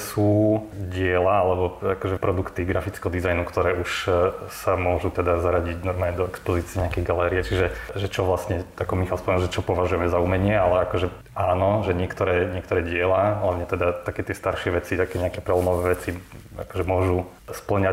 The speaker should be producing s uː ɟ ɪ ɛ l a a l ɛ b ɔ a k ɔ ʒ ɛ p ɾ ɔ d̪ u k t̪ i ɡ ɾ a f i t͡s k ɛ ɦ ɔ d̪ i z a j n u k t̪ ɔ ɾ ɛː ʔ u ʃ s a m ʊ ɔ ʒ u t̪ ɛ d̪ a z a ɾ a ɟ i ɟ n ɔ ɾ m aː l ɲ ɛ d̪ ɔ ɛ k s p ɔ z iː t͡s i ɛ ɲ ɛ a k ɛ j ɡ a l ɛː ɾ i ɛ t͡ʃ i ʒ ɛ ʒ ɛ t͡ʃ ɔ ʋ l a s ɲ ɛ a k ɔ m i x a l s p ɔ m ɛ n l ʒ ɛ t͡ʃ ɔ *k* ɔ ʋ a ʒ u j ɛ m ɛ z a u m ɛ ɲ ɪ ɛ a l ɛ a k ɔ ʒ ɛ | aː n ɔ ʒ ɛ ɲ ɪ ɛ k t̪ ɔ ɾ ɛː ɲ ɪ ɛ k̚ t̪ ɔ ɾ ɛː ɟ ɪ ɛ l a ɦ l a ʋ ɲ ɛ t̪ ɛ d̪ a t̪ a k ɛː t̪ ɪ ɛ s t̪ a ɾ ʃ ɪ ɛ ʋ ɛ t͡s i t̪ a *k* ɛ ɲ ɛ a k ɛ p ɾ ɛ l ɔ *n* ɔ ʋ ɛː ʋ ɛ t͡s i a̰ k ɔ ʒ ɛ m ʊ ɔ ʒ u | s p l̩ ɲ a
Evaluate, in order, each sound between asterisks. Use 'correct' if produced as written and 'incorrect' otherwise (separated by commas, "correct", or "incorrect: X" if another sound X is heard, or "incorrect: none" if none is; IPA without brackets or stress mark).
incorrect: p, correct, incorrect: m